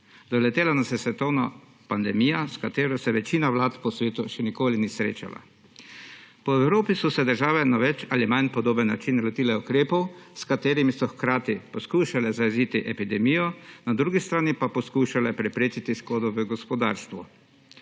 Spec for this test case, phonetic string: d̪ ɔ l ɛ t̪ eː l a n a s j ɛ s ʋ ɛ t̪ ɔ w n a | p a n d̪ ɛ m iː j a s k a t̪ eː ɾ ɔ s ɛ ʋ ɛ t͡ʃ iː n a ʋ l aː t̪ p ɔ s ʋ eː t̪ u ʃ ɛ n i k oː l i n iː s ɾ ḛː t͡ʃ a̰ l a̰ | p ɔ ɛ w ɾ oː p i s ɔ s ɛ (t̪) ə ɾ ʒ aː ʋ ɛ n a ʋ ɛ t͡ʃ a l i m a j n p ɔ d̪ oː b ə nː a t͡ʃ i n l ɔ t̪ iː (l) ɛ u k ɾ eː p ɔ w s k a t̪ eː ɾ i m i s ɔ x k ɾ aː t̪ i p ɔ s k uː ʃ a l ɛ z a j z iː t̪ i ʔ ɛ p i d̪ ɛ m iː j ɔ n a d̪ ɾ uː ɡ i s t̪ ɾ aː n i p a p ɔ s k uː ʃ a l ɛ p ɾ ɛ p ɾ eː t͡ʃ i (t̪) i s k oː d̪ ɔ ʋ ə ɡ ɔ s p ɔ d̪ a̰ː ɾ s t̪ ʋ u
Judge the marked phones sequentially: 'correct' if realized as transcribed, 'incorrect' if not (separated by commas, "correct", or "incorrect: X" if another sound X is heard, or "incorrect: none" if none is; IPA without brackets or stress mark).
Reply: incorrect: d̪, correct, correct